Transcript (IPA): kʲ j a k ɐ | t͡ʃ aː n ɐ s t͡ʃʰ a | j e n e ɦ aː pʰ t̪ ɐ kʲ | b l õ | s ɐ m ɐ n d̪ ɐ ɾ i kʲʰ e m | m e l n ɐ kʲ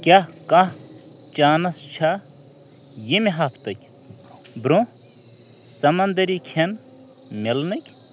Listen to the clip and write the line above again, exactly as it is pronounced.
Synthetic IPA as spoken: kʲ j a k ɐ | t͡ʃ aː n ɐ s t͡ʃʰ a | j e m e ɦ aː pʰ t̪ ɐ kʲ | b ɾ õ | s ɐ m ɐ n d̪ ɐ ɾ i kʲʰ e n | m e l n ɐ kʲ